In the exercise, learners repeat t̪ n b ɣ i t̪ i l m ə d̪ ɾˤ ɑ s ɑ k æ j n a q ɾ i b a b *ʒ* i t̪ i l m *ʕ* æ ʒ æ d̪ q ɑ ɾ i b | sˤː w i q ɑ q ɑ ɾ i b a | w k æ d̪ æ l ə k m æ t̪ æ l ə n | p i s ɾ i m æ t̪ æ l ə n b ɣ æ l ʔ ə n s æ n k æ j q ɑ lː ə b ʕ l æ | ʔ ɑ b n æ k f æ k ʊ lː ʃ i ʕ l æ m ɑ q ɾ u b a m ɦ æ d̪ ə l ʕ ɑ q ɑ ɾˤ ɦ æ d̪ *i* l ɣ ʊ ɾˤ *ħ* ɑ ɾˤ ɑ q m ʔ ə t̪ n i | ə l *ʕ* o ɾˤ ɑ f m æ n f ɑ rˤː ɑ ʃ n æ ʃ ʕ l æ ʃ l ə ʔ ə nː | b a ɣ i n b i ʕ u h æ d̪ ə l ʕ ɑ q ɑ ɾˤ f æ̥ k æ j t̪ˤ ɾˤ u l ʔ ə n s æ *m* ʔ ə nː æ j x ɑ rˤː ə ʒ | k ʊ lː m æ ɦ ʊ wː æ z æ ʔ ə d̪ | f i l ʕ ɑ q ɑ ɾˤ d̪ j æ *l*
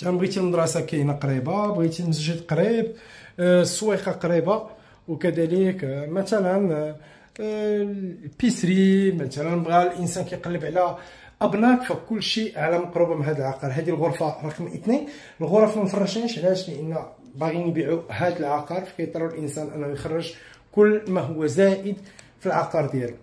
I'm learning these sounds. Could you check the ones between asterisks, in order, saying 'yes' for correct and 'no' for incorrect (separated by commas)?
no, no, yes, no, no, no, yes